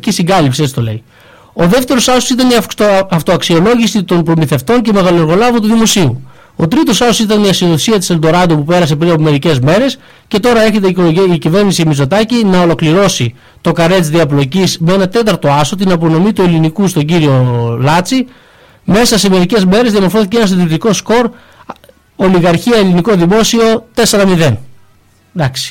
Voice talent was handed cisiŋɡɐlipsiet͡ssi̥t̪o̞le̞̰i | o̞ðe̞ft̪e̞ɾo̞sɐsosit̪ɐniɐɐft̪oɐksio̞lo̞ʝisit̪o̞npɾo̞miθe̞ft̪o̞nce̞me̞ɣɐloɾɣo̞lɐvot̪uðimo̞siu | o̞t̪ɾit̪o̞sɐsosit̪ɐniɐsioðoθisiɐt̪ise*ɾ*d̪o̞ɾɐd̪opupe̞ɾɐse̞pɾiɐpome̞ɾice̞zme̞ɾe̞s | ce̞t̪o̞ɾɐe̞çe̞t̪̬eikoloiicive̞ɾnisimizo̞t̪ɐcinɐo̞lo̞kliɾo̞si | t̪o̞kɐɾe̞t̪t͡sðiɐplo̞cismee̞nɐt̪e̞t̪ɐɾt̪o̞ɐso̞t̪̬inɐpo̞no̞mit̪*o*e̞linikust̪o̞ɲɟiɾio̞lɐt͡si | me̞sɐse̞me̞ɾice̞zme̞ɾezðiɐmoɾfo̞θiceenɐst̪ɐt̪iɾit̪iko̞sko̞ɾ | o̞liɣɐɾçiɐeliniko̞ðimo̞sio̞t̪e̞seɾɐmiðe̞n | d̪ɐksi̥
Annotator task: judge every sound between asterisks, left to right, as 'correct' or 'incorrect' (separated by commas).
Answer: incorrect, incorrect